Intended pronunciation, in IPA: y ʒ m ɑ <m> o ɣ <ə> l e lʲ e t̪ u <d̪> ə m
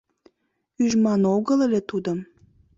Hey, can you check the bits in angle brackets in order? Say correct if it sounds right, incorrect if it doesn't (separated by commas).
incorrect, correct, correct